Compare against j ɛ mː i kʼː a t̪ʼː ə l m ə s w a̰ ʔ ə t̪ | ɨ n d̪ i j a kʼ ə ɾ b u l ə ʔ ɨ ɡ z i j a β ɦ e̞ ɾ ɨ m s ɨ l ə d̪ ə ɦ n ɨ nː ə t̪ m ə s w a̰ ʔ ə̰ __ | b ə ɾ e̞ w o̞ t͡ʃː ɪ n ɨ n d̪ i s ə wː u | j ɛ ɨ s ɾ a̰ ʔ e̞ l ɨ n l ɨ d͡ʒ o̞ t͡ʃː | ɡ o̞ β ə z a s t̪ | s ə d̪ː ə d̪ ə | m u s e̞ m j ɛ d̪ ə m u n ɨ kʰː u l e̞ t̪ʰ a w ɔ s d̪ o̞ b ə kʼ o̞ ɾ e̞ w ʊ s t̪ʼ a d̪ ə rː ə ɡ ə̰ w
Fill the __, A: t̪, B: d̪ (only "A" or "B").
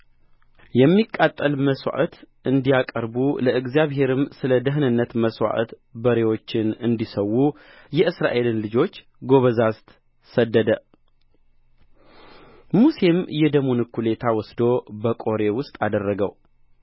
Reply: A